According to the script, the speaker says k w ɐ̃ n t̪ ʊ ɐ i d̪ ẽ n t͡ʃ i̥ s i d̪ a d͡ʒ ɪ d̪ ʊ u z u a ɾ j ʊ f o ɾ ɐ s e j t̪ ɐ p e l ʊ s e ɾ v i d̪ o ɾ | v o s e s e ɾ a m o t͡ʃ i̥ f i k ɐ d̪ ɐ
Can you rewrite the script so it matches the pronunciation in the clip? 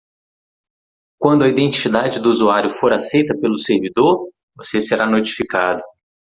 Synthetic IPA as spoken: k w ɐ̃ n d̪ ʊ ɐ i d̪ ẽ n t͡ʃ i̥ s i d̪ a d͡ʒ ɪ d̪ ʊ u z u a ɾ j ʊ f o ɾ a s e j t̪ ɐ p e l ʊ s e ɾ v i d̪ o ɾ | v o s e s e ɾ a n o t͡ʃ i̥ f i k a d̪ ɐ

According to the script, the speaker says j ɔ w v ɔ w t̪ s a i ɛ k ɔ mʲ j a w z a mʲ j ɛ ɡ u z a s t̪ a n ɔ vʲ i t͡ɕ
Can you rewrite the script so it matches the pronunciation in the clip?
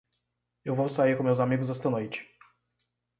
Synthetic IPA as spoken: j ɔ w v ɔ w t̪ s a j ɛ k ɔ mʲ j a w z a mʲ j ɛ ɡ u z a s t̪ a n ɔ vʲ i t͡ɕ

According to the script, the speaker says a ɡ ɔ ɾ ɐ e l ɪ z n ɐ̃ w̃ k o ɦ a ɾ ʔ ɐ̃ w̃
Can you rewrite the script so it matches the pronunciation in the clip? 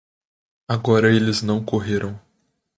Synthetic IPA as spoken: a ɡ ɔ ɾ ɐ e l ɪ z n ɐ̃ w̃ k o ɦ e ɾ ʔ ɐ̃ w̃

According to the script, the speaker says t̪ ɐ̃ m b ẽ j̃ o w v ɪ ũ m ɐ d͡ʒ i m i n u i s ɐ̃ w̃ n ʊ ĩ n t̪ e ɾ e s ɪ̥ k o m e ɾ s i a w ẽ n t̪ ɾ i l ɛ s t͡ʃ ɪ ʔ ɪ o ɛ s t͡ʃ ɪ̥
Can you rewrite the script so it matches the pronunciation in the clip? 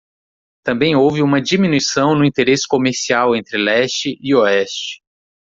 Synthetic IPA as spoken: t̪ ɐ̃ m b ẽ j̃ o w v ɪ ũ m ɐ d͡ʒ i m i n u i s ɐ̃ w̃ n ʊ ĩ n t̪ e ɾ e s ɪ̥ k o m e ɾ s i a w ẽ n t̪ ɾ ɪ l ɛ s t͡ʃ ɪ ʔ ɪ o ɛ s t͡ʃ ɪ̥

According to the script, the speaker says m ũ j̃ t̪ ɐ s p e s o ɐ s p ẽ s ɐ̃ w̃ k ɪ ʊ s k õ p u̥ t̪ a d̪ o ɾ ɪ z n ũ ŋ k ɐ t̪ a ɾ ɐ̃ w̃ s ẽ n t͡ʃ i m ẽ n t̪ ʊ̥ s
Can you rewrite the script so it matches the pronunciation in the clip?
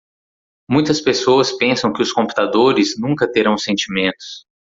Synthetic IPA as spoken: m ũ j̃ t̪ ɐ s p e s o ɐ s p ẽ s ɐ̃ w̃ k ɪ ʊ s k õ p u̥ t̪ a d̪ o ɾ ɪ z n ũ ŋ k ɐ t̪ e ɾ ɐ̃ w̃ s ẽ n t͡ʃ i m ẽ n t̪ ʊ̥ s

